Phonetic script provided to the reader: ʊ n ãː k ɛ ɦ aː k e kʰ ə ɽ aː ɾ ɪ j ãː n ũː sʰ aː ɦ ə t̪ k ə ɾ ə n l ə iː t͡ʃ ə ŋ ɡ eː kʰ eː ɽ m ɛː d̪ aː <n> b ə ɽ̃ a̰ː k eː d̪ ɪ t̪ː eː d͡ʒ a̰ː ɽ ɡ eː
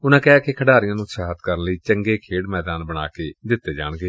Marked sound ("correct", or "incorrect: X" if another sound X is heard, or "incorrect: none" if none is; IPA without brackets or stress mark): correct